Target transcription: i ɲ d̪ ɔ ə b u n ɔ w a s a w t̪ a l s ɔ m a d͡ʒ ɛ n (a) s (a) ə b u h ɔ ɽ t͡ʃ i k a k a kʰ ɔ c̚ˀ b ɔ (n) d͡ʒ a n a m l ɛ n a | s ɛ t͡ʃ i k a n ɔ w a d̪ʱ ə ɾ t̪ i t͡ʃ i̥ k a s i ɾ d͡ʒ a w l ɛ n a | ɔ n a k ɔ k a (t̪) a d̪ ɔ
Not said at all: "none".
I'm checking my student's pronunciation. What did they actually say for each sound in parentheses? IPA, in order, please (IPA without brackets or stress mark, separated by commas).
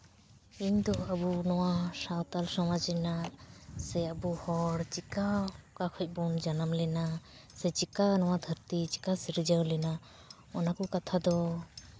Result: a, ɛ, n, t̪ʰ